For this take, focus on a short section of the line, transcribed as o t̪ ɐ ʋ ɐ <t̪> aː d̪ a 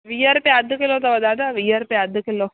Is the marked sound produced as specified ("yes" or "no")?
no